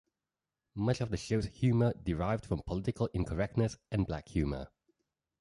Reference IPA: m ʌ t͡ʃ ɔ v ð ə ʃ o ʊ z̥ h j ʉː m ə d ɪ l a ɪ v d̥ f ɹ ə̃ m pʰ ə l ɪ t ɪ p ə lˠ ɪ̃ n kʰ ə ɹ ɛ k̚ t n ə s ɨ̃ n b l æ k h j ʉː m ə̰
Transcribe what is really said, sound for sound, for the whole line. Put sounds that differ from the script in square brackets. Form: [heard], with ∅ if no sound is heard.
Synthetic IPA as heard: m ʌ t͡ʃ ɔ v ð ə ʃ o ʊ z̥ h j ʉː m ə d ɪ [ɹ] a ɪ v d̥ f ɹ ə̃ m pʰ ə l ɪ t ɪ [k] ə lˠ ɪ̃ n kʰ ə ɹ ɛ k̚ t n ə s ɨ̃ n b l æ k h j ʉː m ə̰